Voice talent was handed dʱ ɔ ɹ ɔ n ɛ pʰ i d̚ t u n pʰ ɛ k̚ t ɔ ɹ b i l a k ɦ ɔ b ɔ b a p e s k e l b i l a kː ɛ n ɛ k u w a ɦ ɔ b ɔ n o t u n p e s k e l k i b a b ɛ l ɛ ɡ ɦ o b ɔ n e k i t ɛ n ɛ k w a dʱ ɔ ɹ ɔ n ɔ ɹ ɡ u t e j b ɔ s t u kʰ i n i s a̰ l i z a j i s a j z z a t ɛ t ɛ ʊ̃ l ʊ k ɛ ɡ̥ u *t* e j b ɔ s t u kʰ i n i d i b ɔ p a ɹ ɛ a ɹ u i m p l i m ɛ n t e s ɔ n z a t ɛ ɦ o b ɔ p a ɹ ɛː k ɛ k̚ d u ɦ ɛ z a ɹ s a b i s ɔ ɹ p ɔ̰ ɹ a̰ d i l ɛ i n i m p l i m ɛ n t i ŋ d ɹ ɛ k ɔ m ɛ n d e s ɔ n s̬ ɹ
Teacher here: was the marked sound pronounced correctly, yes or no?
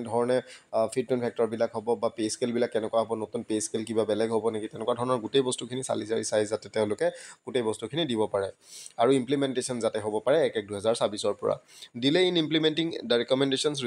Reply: yes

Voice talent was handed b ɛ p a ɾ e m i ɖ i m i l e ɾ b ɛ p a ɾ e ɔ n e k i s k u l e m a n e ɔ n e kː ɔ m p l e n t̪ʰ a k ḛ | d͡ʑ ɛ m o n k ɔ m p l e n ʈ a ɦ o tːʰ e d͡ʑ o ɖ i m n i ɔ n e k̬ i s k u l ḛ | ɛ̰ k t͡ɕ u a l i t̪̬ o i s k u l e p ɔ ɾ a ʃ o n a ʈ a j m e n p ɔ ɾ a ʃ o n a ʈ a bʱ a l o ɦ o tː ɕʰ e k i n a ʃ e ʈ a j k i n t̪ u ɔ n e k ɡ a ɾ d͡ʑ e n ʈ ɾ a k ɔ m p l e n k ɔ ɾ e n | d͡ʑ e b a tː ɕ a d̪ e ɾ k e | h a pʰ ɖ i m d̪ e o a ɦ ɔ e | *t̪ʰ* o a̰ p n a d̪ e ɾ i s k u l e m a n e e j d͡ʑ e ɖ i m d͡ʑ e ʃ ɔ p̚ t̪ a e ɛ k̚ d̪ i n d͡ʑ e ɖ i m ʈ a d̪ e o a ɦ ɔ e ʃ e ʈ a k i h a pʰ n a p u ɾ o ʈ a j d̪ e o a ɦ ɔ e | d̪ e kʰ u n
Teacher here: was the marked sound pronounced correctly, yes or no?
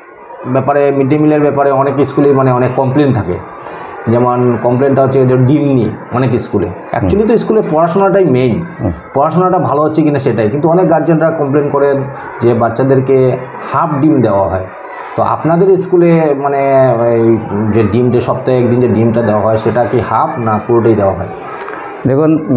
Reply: no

